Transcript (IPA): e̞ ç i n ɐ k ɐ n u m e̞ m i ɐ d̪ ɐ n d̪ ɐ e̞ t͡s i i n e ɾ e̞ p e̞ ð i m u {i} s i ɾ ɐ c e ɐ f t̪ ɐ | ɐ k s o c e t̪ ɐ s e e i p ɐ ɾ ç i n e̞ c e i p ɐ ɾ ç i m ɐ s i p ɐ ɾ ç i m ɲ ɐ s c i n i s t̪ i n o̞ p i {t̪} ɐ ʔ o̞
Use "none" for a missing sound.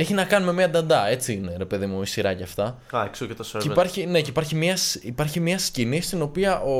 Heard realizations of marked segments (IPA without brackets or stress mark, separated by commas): i, none